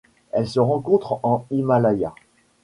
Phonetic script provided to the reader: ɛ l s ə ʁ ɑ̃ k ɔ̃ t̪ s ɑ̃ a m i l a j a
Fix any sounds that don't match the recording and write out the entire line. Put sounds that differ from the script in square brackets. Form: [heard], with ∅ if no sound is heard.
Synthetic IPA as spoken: ɛ l s ə ʁ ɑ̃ k ɔ̃ t̪ [χ] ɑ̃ [i] m [a] l a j a